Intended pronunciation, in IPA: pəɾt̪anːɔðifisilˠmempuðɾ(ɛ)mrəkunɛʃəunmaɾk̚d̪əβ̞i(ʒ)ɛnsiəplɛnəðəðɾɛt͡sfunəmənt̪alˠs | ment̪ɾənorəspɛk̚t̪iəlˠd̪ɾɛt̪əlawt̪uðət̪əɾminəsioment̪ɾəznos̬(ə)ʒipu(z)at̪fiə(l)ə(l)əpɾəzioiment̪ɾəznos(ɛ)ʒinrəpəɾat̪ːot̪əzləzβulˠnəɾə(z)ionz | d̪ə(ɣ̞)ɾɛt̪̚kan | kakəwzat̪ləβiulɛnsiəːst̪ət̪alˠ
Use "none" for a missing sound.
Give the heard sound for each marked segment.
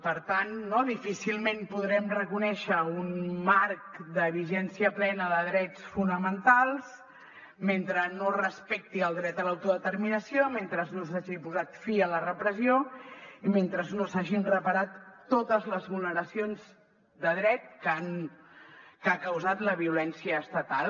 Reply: ɛ, ʒ, a, z, l, r, a, s, ð̞

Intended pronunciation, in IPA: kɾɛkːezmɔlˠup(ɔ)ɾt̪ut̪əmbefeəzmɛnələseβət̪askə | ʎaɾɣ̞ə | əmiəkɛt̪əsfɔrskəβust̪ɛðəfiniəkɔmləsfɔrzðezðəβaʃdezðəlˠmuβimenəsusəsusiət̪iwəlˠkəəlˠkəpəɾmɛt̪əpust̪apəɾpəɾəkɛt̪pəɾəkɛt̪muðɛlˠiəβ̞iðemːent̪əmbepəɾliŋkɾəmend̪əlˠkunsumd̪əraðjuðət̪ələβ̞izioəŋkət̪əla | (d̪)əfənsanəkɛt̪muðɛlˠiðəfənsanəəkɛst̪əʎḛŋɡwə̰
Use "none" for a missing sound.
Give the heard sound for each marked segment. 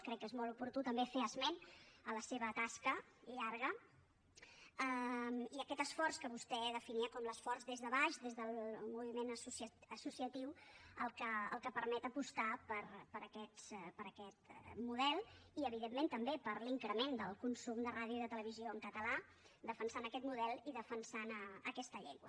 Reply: u, d̪

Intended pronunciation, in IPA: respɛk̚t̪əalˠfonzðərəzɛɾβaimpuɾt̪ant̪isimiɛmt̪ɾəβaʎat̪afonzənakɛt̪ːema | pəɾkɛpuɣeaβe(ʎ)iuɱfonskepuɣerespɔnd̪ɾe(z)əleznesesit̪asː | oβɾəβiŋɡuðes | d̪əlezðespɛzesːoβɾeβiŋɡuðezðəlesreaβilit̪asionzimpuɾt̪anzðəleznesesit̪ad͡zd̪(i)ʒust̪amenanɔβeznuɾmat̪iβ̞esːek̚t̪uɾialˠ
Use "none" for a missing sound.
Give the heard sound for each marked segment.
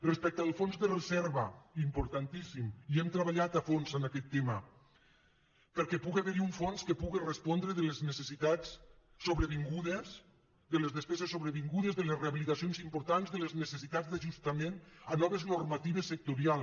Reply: ɾ, ð, a

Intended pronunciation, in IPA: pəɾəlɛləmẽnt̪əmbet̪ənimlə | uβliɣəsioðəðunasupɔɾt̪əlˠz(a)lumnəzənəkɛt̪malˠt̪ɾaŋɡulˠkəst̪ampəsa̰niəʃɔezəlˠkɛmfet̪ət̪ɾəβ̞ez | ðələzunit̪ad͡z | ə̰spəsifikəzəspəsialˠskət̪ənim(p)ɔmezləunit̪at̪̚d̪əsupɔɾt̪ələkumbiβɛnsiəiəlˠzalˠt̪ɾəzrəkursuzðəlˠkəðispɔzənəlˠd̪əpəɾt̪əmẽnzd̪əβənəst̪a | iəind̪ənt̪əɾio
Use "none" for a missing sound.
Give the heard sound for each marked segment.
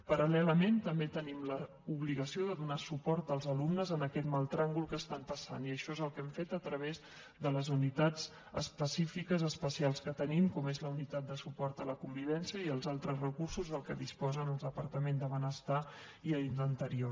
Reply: ə, k

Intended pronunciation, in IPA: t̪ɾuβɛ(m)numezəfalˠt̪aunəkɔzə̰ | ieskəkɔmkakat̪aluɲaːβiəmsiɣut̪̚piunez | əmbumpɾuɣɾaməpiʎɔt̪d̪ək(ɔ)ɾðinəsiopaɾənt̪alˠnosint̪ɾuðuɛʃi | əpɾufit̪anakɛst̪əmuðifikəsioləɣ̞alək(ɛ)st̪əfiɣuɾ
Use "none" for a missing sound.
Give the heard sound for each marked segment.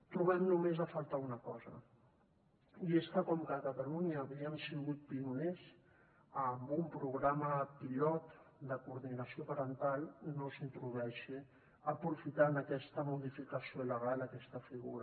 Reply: m, u, ɛ

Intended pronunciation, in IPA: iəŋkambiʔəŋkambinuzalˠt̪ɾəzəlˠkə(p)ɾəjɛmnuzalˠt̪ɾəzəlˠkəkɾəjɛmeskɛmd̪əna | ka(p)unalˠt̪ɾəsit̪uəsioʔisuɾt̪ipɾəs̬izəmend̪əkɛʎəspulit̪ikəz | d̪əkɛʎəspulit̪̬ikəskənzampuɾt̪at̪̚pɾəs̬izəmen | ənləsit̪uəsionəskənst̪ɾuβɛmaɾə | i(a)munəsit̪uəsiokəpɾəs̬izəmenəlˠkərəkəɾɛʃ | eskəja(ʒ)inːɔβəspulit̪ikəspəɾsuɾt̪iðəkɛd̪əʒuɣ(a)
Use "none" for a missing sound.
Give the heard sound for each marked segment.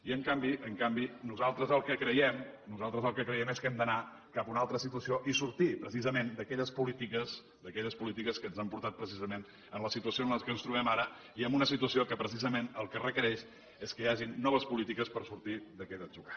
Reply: k, p, ə, ʒ, a

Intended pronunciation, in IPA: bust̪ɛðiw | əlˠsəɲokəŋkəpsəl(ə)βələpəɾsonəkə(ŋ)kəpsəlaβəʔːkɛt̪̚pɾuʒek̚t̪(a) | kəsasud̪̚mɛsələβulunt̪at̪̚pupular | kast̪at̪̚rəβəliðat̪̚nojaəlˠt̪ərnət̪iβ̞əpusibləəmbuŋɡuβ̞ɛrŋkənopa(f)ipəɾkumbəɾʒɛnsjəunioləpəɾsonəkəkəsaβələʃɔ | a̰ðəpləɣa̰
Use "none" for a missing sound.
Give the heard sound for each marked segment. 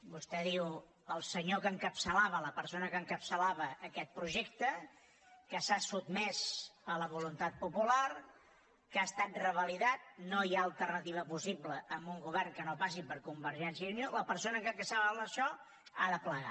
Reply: a, ŋ, ə, s

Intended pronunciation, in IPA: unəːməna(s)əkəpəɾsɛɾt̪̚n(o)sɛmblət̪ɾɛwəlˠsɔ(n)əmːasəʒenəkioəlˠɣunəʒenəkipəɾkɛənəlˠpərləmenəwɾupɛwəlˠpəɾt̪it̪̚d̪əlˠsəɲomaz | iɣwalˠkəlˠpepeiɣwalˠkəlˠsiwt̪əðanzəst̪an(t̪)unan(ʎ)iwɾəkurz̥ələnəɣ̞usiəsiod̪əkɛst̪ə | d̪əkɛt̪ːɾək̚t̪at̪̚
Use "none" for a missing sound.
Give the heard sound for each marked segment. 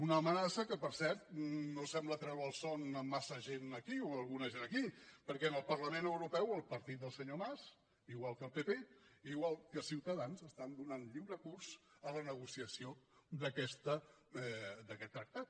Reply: s, o, n, d̪, ʎ

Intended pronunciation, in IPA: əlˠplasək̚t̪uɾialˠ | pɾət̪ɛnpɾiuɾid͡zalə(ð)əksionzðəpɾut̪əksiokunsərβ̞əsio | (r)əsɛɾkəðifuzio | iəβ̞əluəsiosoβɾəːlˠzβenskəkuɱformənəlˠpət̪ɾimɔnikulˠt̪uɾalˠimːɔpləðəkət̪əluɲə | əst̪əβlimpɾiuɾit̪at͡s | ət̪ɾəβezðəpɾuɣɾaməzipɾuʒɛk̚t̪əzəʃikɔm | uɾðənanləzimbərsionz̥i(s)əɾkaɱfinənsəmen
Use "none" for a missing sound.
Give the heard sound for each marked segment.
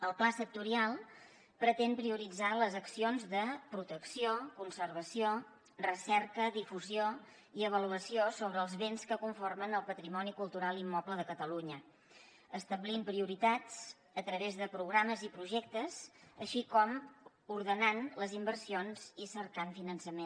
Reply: z, r, s

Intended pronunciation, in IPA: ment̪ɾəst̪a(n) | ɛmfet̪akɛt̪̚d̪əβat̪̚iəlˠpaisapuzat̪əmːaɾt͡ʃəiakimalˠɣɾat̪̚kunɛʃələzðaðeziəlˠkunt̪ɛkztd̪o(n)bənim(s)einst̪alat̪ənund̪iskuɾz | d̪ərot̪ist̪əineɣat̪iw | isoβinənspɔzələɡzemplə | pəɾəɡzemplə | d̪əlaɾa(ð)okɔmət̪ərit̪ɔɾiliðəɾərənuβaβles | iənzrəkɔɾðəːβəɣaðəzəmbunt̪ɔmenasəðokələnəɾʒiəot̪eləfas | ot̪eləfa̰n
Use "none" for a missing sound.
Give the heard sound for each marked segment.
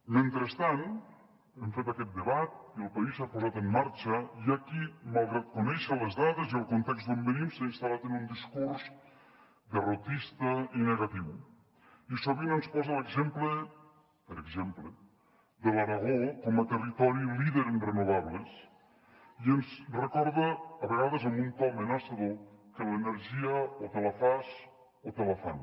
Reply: n, m, s, ɣ

